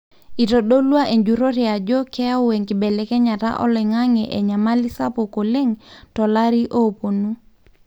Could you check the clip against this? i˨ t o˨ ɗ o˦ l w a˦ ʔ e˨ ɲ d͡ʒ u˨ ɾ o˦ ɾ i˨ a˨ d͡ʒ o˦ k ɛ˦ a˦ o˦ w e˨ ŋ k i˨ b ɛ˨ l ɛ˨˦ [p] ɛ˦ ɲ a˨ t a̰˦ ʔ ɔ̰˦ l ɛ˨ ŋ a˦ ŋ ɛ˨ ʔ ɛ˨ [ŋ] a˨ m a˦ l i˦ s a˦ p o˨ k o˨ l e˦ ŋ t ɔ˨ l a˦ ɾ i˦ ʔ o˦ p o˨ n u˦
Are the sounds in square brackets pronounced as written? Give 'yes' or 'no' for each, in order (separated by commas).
no, no